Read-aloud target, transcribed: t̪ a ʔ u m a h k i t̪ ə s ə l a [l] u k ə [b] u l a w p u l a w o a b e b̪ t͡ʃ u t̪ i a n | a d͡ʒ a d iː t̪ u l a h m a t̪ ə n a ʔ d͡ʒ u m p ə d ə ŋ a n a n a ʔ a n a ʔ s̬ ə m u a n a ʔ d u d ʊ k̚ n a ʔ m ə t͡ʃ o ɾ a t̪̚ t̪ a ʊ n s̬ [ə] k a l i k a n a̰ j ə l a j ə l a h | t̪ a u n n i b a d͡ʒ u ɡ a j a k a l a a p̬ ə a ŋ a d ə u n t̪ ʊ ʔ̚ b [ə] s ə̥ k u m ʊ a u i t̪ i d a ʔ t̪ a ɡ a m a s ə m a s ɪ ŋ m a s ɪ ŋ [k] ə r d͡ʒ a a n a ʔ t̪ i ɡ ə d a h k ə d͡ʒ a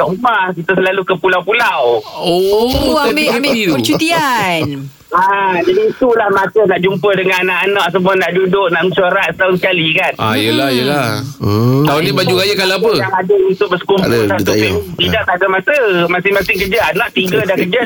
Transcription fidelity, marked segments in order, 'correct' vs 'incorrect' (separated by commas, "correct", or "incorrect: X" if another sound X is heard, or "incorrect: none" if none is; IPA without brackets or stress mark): correct, incorrect: p, correct, correct, correct